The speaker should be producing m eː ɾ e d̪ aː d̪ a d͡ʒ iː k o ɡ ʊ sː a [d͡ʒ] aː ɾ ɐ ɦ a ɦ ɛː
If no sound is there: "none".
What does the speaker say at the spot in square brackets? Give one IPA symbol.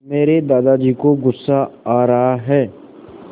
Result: none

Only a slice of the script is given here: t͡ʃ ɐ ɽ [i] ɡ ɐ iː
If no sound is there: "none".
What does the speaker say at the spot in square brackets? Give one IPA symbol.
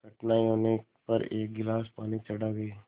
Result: a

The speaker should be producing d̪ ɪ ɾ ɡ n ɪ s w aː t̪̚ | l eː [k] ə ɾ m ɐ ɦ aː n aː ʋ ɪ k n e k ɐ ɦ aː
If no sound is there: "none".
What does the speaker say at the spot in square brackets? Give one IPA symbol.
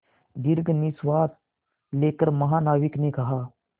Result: k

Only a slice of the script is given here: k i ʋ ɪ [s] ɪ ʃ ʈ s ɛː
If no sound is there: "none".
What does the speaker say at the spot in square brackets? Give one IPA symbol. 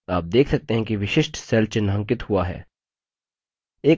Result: ʃ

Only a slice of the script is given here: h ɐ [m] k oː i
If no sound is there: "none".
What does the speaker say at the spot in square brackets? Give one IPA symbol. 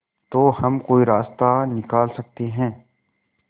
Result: m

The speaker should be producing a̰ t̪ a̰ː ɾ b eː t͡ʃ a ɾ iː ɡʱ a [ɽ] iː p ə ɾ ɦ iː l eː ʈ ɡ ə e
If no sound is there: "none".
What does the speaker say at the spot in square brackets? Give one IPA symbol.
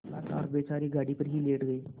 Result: ɽ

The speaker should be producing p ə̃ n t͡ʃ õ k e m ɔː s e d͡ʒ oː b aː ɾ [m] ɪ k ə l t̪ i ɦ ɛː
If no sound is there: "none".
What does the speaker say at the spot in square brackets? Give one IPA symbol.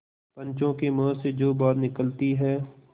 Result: n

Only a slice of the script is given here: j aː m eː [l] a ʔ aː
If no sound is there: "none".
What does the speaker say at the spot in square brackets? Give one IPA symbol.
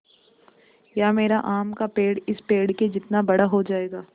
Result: ɾ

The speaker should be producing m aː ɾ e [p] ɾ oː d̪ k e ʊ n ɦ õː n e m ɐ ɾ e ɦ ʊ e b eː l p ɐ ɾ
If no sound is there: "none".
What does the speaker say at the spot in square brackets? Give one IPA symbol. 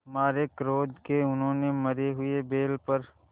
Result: k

